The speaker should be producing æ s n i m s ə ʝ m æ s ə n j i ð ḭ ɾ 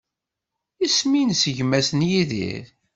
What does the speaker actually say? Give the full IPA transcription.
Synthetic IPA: i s m i n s ə ʝ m æ s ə n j i ð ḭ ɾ